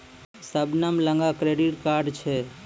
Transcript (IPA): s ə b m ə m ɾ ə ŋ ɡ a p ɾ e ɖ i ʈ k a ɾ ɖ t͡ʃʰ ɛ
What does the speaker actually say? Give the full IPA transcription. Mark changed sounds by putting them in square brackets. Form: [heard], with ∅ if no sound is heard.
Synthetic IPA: s ə b [n] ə m [l] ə ŋ ɡ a [k] ɾ e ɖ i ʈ k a ɾ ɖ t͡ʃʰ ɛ